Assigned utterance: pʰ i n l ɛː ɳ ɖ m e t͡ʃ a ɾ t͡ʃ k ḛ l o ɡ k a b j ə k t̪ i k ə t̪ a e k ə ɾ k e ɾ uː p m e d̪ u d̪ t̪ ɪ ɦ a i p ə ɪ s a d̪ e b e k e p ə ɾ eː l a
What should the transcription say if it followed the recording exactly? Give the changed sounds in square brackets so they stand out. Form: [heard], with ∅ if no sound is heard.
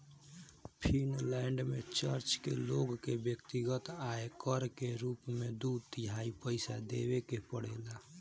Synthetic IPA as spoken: pʰ i n l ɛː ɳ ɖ m e t͡ʃ [ə] ɾ t͡ʃ k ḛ l o ɡ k [e] b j ə k t̪ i [ɡ] ə t̪ a e k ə ɾ k e ɾ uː p m e d̪ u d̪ t̪ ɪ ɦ a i p ə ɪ s a d̪ e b e k e p ə [ɽ] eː l a